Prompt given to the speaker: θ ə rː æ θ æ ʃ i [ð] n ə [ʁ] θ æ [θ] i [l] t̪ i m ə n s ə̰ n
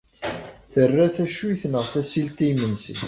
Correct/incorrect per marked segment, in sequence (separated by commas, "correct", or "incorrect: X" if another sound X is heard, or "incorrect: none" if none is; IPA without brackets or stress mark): incorrect: θ, correct, incorrect: s, correct